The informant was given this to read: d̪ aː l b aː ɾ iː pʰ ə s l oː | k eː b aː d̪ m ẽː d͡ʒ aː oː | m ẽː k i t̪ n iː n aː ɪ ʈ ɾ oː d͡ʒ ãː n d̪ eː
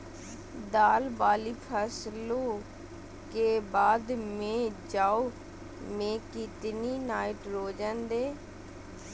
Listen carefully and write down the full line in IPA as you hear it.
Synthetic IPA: d̪ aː l b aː l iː pʰ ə s l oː | k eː b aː d̪ m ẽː d͡ʒ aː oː | m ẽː k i t̪ n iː n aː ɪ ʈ ɾ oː d͡ʒ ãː n d̪ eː